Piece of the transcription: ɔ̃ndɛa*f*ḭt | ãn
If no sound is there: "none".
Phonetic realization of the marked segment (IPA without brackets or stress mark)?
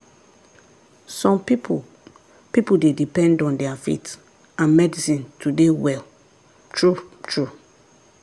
f